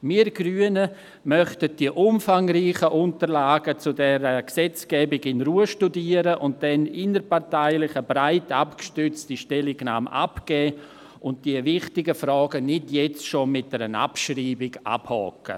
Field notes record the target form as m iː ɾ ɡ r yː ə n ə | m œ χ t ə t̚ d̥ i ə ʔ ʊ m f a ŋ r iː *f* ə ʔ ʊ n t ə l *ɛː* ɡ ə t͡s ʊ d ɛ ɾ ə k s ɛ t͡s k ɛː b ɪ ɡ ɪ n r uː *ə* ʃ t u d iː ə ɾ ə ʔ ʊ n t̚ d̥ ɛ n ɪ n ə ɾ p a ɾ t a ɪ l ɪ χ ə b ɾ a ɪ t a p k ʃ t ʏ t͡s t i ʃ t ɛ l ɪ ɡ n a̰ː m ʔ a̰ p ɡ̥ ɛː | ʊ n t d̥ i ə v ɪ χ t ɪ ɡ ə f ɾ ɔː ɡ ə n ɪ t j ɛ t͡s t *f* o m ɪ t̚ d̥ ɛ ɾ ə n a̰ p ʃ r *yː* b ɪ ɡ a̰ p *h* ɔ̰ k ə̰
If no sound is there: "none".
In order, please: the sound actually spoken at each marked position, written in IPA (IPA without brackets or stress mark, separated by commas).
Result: χ, aː, ə, ʃ, iː, h